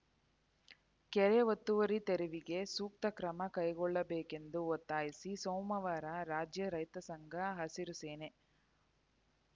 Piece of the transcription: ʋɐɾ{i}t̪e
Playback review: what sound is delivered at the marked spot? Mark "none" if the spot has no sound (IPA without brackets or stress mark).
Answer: i